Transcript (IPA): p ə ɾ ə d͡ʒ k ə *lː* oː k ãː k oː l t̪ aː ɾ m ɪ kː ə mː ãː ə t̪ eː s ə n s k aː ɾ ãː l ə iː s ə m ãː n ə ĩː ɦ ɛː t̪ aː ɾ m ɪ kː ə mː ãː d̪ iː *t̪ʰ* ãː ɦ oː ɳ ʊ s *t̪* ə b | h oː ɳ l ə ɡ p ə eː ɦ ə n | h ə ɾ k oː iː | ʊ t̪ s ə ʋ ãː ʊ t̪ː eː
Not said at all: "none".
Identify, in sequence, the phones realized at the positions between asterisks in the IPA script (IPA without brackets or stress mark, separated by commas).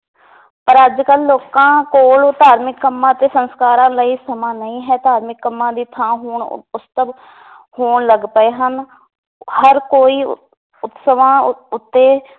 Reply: lː, t̪ʰ, t̪